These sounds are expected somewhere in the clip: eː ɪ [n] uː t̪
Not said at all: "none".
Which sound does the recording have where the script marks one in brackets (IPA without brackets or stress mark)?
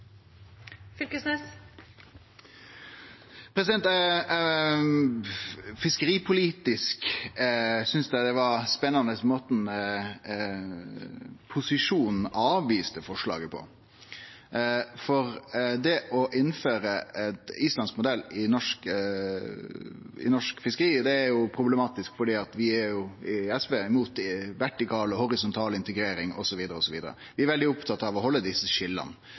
m